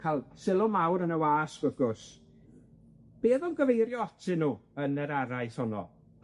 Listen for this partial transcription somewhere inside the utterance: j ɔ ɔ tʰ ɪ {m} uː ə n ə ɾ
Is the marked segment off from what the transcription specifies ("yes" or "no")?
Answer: yes